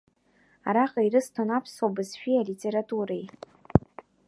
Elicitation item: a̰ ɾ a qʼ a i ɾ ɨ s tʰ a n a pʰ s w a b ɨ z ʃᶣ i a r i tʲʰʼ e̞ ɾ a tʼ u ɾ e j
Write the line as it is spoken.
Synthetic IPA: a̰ ɾ a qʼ a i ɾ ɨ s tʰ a n a pʰ s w a b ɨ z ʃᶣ i a l i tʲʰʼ e̞ ɾ a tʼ u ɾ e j